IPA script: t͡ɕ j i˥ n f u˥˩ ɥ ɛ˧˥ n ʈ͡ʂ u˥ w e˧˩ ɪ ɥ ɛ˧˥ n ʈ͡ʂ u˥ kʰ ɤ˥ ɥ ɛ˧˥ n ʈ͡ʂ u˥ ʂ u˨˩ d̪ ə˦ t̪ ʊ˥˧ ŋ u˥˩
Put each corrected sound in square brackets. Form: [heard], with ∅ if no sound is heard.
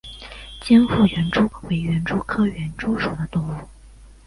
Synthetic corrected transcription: t͡ɕ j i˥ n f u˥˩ ɥ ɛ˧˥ n ʈ͡ʂ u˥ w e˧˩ ɪ ɥ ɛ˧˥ n ʈ͡ʂ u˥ kʰ ɤ˥ ɥ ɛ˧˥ n ʈ͡ʂ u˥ ʂ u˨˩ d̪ ə˦ t̪ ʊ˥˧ ŋ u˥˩